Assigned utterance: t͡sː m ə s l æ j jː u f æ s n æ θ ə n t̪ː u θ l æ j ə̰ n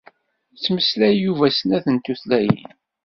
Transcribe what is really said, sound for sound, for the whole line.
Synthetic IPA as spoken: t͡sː m ə s l æ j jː u v æ s n æ θ ə n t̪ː u θ l æ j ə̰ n